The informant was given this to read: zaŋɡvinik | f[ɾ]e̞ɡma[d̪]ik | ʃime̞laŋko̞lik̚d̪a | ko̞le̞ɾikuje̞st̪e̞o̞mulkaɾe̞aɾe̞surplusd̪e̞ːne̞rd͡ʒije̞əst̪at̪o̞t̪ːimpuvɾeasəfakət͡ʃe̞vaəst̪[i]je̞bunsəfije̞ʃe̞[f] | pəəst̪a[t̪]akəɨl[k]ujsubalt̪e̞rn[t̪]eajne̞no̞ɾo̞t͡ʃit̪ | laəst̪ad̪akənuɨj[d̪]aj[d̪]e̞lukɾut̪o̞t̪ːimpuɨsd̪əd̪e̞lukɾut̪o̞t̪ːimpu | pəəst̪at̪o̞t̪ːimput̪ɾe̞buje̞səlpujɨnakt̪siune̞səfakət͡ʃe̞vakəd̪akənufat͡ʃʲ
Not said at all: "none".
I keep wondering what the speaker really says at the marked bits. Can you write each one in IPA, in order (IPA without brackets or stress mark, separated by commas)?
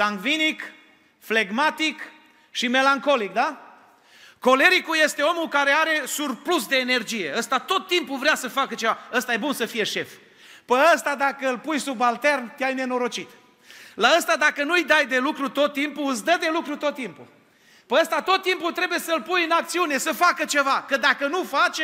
l, t̪, a, f, d̪, p, t̪, d̪, d̪